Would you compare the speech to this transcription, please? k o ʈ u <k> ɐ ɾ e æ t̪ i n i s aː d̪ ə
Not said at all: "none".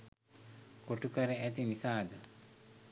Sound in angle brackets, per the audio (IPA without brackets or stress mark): k